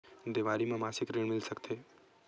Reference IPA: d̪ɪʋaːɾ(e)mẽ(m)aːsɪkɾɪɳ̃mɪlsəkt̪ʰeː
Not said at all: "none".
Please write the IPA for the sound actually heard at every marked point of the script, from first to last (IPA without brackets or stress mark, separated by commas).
i, m